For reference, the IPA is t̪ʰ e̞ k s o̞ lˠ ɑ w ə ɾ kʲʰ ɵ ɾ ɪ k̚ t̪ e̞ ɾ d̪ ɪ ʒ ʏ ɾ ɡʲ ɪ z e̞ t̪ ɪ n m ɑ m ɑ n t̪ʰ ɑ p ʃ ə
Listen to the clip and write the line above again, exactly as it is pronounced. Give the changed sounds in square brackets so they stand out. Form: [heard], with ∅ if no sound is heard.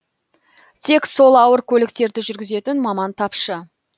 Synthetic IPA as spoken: t̪ʰ e̞ k s o̞ lˠ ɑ w ə ɾ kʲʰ ɵ [l] ɪ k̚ t̪ e̞ ɾ d̪ ɪ ʒ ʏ ɾ ɡʲ ɪ z e̞ t̪ ɪ n m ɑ m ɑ n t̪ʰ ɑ p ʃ ə